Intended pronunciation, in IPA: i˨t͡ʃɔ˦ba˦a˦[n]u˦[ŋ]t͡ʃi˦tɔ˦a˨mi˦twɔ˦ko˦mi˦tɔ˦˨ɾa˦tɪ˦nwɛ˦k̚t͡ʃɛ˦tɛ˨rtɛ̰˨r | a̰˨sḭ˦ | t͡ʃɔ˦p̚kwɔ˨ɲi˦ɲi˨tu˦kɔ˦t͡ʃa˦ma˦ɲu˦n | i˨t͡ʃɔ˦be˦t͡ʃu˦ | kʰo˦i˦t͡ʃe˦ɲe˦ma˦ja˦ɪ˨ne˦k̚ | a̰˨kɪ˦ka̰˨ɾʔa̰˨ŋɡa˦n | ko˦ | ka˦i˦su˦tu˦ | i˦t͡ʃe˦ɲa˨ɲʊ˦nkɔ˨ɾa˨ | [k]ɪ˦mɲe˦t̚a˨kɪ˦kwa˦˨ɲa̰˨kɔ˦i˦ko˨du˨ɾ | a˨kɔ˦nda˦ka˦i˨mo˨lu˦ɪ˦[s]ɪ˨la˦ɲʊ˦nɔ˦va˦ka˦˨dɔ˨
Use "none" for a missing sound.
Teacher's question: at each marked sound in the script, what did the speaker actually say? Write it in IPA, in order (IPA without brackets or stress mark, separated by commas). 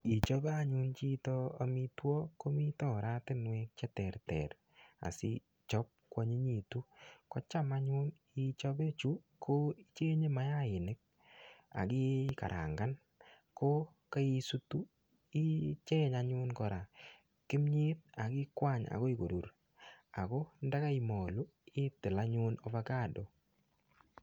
ɲ, n, k, t